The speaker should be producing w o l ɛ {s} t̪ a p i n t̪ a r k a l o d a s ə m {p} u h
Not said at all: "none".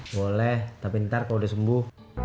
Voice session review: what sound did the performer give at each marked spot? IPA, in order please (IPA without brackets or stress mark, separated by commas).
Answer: h, b